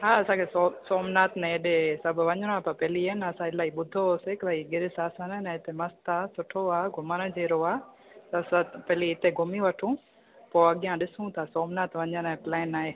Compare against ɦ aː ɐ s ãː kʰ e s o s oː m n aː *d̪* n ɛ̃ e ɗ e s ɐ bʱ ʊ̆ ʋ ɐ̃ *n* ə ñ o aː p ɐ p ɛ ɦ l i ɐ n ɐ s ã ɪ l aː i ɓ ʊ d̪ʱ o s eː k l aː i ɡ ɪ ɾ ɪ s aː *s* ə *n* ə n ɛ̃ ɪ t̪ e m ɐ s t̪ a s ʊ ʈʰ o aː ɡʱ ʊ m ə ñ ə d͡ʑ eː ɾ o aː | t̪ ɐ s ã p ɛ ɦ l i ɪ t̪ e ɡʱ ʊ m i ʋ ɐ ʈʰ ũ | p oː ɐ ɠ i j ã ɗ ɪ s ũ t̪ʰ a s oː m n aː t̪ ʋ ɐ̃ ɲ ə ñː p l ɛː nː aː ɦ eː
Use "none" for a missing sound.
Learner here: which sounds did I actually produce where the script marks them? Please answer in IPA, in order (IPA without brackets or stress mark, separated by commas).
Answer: t̪, ɲ, s, n